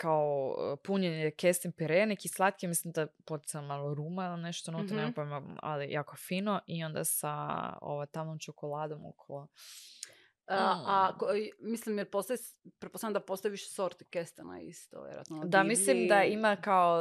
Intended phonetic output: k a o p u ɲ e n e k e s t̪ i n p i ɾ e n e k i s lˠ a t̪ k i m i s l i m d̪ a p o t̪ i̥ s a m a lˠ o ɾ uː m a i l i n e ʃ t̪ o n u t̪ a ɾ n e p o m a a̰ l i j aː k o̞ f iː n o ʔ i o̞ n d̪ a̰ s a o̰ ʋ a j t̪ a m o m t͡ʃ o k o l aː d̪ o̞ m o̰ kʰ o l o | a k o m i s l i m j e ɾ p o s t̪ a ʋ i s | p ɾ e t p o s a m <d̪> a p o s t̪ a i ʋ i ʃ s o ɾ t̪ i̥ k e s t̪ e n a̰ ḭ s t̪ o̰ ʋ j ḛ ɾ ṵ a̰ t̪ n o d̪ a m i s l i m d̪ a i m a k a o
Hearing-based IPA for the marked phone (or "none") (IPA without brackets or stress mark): d̪